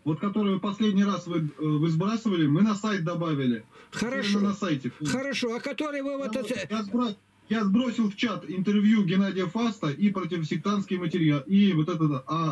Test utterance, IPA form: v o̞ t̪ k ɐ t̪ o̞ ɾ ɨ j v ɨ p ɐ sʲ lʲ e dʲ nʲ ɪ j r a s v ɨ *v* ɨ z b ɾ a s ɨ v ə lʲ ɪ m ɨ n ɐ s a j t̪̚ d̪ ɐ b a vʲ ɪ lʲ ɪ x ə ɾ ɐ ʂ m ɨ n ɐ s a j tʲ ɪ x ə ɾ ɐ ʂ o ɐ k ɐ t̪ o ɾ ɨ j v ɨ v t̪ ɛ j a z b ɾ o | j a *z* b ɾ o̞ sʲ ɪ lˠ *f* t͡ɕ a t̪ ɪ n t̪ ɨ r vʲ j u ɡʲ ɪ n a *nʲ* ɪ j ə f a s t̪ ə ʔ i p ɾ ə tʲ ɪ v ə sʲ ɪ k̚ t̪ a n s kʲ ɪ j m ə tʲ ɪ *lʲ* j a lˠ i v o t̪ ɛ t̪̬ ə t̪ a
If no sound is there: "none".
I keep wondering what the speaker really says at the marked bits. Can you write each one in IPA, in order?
v, z, f, dʲ, ɾʲ

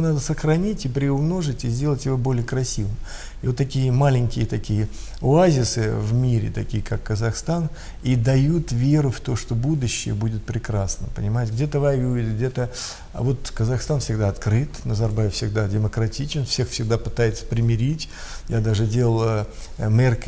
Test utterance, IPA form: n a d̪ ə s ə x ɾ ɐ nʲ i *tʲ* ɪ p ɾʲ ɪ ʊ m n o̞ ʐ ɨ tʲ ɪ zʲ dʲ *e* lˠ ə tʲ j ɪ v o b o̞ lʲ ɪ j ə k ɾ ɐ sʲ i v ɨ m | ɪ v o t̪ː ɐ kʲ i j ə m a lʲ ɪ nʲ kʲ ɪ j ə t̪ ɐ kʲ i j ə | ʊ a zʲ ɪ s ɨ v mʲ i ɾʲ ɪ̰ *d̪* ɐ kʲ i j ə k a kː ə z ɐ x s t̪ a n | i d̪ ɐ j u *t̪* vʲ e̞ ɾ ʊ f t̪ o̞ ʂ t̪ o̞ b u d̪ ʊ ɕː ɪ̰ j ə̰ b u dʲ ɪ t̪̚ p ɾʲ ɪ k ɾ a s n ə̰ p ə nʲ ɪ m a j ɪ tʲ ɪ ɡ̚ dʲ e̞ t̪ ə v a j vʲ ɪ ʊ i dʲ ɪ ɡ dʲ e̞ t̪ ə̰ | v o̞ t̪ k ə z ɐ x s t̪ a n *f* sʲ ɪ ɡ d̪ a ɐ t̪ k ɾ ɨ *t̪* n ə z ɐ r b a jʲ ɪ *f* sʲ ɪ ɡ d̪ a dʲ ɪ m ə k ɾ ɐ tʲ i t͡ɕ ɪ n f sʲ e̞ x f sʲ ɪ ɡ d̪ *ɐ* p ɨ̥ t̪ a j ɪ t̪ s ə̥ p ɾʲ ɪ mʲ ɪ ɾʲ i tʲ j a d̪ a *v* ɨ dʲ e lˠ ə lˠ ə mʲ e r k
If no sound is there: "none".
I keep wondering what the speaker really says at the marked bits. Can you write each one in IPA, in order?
tʲ, e, t̪, t̪, f, t̪, f, a, ʐ

